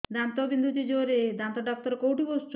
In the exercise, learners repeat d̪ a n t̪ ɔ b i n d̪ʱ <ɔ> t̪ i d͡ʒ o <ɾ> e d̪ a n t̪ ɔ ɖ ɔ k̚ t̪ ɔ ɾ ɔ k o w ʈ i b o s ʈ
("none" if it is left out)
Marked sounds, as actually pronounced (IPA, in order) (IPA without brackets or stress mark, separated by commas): u, ɾ